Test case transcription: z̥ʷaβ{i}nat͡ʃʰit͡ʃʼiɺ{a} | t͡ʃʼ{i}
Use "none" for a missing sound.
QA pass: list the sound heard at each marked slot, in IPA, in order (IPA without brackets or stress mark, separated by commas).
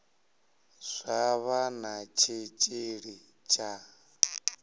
a, i, a